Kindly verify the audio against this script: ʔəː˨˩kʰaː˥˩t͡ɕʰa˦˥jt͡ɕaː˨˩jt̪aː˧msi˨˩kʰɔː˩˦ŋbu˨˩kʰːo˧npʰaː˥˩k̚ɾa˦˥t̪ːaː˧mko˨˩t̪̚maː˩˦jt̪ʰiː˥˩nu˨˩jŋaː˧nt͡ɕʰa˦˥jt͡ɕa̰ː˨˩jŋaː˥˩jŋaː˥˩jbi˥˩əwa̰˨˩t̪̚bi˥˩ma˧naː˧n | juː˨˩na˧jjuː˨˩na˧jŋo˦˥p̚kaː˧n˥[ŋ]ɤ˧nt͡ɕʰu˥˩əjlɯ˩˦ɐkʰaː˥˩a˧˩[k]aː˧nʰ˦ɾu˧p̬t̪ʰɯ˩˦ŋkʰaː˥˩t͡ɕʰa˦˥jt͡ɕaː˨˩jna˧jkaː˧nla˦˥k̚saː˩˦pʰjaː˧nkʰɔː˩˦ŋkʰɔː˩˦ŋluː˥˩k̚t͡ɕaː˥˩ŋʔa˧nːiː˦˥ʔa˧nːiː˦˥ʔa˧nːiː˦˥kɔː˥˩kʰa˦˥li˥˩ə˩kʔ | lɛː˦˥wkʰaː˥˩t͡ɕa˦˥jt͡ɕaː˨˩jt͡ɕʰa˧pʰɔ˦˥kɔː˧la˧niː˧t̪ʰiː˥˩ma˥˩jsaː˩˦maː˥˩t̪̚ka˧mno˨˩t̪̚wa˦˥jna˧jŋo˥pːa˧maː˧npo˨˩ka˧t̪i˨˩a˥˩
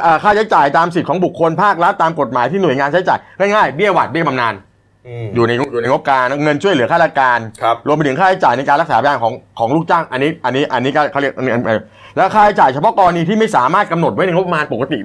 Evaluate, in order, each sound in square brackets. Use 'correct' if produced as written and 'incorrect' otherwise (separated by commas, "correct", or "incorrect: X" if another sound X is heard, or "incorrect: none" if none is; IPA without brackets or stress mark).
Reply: correct, correct